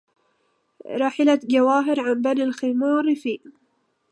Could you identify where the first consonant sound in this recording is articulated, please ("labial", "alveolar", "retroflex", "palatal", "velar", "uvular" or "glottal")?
alveolar